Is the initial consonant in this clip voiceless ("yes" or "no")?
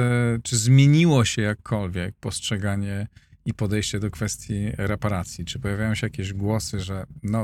yes